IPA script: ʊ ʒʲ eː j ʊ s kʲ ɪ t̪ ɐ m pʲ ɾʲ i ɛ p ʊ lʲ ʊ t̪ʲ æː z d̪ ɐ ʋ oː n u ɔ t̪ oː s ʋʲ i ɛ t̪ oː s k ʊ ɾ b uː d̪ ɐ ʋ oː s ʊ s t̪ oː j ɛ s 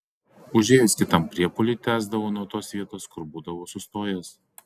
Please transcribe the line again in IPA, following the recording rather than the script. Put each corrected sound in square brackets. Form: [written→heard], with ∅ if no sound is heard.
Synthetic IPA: ʊ ʒʲ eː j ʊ s kʲ ɪ t̪ ɐ m pʲ ɾʲ i ɛ p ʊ lʲ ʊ t̪ʲ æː z d̪ ɐ ʋ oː n u ɔ t̪ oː s ʋʲ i ɛ t̪ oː s k ʊ ɾ b uː d̪ ɐ ʋ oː s ʊ s t̪ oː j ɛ s

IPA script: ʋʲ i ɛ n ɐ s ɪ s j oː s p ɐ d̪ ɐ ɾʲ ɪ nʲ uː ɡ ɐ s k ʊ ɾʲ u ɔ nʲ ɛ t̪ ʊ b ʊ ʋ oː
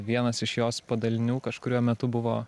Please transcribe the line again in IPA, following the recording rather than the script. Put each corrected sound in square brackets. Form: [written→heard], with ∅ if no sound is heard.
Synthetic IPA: ʋʲ i ɛ n ɐ s ɪ [s→ʃ] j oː s p ɐ d̪ ɐ [ɾʲ→lʲ] ɪ nʲ uː [ɡ→k] ɐ [s→ʃ] k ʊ ɾʲ u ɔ [nʲ→mʲ] ɛ t̪ ʊ b ʊ ʋ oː

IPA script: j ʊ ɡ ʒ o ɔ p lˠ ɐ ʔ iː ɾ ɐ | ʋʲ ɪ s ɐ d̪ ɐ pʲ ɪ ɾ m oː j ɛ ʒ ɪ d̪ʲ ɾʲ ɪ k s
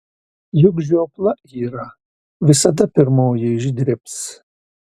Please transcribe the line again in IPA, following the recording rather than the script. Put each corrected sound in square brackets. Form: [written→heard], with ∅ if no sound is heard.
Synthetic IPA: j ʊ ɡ ʒ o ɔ p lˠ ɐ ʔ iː ɾ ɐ | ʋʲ ɪ s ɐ d̪ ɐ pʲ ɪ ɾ m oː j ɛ ʒ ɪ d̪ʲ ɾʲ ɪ [k→p] s

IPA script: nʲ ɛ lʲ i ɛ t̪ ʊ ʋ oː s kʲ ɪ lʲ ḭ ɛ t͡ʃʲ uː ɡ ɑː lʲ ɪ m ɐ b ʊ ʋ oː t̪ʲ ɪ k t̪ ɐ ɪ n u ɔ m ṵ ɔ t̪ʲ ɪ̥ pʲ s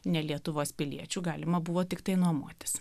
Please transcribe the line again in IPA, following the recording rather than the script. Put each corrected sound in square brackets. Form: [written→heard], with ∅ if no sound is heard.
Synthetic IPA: nʲ ɛ lʲ i ɛ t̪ ʊ ʋ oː s [kʲ→pʲ] ɪ lʲ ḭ ɛ t͡ʃʲ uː ɡ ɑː lʲ ɪ m ɐ b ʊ ʋ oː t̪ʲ ɪ k t̪ ɐ ɪ n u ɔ m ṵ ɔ t̪ʲ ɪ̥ [pʲ→∅] s

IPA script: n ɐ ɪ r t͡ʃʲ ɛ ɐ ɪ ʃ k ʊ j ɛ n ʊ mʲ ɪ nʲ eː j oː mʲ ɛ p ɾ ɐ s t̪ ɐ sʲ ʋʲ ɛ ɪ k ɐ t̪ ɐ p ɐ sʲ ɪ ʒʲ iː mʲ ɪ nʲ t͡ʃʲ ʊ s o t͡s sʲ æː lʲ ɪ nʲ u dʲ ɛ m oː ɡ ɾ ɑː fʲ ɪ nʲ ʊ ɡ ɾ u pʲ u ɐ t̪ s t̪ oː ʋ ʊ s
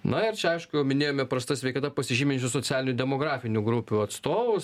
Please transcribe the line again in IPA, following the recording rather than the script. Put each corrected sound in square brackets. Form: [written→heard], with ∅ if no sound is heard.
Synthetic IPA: n ɐ ɪ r t͡ʃʲ ɛ ɐ ɪ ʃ k ʊ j ɛ [n→∅] ʊ mʲ ɪ nʲ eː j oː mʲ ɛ p ɾ ɐ s t̪ ɐ sʲ ʋʲ ɛ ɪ k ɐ t̪ ɐ p ɐ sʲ ɪ ʒʲ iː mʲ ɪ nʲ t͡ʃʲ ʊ s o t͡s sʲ æː lʲ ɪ nʲ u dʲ ɛ m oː ɡ ɾ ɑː fʲ ɪ nʲ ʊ ɡ ɾ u pʲ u ɐ t̪ s t̪ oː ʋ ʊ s

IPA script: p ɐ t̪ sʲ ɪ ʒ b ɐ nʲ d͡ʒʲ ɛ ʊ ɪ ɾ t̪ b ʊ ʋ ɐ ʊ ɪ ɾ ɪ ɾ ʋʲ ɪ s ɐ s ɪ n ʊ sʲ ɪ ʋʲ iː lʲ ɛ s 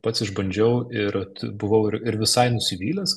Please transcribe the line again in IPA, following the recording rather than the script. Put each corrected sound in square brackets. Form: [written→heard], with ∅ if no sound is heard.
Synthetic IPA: p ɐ t̪ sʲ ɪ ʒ b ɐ nʲ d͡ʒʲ ɛ ʊ ɪ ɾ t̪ b ʊ ʋ ɐ ʊ ɪ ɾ ɪ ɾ ʋʲ ɪ s ɐ [s→∅] ɪ n ʊ sʲ ɪ ʋʲ iː lʲ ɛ s

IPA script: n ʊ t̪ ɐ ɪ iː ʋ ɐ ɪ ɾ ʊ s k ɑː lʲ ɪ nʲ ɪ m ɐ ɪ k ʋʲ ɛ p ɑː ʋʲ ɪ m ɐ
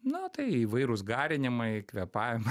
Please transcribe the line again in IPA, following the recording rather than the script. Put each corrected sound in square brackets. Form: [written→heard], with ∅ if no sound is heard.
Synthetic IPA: n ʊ t̪ ɐ ɪ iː ʋ ɐ ɪ ɾ ʊ s [k→ɡ] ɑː [lʲ→ɾʲ] ɪ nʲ ɪ m ɐ ɪ k ʋʲ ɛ p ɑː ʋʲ ɪ m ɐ

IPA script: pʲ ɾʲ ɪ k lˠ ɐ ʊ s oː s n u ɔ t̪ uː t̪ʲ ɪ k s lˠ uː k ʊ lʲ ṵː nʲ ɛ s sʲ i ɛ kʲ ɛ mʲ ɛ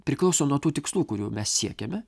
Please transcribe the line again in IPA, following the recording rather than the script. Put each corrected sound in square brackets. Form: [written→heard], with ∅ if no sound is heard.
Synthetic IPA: pʲ ɾʲ ɪ k lˠ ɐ ʊ s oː [s→∅] n u ɔ t̪ uː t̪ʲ ɪ k s lˠ uː k ʊ [lʲ→ɾʲ] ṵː [nʲ→mʲ] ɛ s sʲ i ɛ kʲ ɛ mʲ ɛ

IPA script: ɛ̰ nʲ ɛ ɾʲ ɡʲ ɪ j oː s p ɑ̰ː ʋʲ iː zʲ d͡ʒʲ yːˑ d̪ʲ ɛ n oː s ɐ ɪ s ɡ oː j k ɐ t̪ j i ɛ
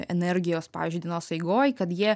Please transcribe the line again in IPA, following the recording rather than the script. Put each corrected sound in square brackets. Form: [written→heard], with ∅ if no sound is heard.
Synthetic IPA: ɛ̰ nʲ ɛ ɾʲ ɡʲ ɪ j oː s p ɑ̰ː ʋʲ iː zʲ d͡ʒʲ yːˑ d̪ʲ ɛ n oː s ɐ ɪ [s→∅] ɡ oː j k ɐ t̪ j i ɛ

